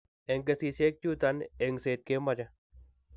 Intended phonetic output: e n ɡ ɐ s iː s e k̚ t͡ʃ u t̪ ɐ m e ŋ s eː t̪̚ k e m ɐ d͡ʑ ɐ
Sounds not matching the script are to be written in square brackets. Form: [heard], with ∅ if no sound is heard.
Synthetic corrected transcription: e [ŋ] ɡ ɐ s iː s e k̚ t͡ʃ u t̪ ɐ [n] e ŋ s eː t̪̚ k e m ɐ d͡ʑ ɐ

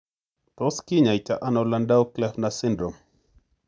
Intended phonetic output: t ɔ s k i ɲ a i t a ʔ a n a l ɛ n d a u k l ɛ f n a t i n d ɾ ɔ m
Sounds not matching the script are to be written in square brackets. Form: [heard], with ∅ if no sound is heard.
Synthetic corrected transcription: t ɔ s k i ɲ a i t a ʔ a n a l [a] n d a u k l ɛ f n a [s] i n d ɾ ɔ m

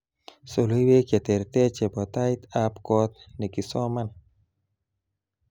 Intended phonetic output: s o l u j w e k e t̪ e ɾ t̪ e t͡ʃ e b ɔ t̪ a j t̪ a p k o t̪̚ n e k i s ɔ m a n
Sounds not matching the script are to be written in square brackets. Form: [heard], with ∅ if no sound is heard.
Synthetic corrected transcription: s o l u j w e k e t̪ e ɾ t̪ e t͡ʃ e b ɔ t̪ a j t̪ a p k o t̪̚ n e k i s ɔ m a n

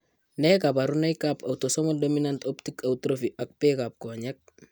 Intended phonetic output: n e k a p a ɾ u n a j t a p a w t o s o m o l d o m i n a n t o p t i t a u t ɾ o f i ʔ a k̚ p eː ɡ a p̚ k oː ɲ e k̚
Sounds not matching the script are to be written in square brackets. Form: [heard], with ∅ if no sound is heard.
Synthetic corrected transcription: n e k a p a ɾ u n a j [k] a p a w t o s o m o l d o m i n a n t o p t i [k] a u t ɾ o f i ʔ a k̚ p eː [k] a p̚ k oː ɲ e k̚

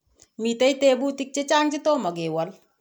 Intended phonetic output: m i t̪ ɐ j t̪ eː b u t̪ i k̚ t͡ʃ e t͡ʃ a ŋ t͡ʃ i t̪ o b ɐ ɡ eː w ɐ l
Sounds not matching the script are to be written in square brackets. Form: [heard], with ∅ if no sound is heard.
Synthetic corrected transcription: m i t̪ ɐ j t̪ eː b u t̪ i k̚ t͡ʃ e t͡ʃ a ŋ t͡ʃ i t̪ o [m] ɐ ɡ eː w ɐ l

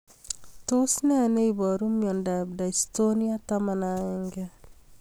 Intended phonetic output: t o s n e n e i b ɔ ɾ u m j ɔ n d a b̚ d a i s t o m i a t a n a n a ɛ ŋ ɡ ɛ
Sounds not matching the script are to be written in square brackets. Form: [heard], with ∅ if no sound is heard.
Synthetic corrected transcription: t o s n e n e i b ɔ ɾ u m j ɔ n d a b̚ d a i s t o [n] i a t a [m] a n a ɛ ŋ ɡ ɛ

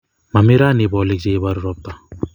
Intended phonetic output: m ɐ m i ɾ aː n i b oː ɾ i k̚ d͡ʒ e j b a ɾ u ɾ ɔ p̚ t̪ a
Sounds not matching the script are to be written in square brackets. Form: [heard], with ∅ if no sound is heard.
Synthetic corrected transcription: m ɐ m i ɾ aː n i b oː [l] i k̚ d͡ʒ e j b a ɾ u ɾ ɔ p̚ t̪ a

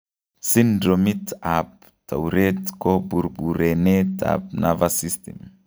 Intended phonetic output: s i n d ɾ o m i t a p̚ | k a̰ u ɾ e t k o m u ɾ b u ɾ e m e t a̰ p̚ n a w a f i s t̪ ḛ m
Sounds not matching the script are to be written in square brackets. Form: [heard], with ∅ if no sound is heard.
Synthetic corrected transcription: s i n d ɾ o m i t a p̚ | [t] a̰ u ɾ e t k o [b] u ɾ b u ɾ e [n] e t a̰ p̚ n a [v] a [s] i s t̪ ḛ m

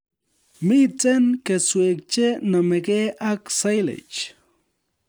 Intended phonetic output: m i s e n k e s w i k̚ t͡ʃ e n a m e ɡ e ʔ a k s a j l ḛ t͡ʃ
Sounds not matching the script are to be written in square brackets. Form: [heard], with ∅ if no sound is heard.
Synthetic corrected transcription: m i [t͡s] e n k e s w [e] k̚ t͡ʃ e n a m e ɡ e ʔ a k s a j l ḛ t͡ʃ

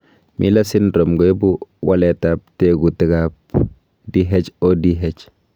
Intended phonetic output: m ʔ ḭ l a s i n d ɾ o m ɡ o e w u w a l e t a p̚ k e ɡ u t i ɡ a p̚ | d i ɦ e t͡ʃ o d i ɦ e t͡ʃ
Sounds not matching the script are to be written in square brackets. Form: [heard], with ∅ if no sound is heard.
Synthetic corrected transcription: m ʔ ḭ l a s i n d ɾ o m ɡ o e [b] u w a l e t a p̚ [t] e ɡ u t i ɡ a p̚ | d i ɦ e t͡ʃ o d i ɦ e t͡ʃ

